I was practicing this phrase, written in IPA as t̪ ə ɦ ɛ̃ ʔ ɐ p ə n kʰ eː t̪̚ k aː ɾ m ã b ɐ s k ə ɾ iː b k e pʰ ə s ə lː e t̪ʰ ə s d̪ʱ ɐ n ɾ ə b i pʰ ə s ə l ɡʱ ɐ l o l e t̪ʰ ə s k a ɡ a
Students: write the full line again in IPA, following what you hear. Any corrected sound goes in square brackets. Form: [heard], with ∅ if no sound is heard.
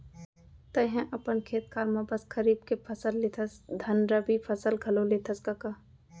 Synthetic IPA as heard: t̪ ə ɦ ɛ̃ ʔ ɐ p ə n kʰ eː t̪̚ k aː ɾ m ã b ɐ s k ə ɾ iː b k e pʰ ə s ə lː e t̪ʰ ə s d̪ʱ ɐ n ɾ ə b i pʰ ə s ə l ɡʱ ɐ l o l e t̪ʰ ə s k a [k] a